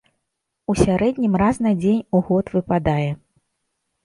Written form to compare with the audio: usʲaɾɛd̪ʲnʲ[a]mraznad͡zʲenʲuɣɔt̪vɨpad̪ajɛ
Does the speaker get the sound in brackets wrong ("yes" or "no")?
yes